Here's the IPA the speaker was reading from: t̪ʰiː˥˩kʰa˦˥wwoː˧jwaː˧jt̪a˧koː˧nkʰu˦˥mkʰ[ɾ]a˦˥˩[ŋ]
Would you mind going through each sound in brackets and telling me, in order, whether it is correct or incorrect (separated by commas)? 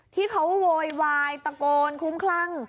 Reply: incorrect, correct